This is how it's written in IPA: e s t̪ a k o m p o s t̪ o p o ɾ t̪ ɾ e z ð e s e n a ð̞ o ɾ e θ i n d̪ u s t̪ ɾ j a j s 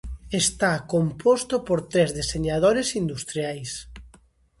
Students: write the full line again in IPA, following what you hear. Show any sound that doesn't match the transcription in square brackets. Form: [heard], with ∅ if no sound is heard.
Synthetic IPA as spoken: e s t̪ a k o m p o s t̪ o p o ɾ t̪ ɾ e z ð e s e [ɲ] a ð̞ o ɾ e [s] i n d̪ u s t̪ ɾ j a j s